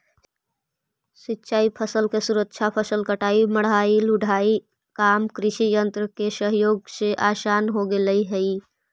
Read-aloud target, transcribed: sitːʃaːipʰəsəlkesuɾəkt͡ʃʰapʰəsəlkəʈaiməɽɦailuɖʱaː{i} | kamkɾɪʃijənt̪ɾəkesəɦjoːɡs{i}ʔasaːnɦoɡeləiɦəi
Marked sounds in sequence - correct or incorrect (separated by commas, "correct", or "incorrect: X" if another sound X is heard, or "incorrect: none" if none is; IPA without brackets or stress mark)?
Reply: correct, incorrect: e